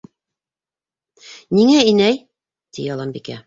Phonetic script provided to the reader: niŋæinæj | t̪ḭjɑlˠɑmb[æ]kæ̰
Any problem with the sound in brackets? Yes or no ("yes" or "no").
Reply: yes